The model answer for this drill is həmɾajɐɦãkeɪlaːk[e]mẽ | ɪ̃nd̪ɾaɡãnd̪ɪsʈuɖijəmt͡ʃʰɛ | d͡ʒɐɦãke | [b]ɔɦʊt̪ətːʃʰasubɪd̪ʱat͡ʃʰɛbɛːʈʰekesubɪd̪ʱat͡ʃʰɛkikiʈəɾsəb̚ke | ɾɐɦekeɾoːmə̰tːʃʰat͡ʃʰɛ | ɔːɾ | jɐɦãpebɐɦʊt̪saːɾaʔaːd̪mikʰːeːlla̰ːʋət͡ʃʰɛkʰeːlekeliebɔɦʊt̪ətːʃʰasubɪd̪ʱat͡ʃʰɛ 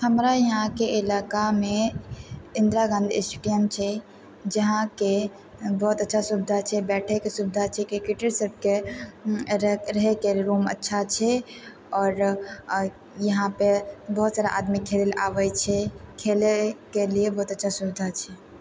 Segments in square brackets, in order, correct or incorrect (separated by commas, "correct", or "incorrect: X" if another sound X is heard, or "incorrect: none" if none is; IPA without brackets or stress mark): incorrect: a, correct